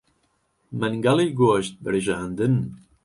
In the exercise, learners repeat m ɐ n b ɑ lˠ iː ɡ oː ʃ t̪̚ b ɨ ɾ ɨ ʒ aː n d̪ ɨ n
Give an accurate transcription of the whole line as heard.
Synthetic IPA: m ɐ n ɡ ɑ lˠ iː ɡ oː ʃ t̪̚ b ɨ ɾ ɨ ʒ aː n d̪ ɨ n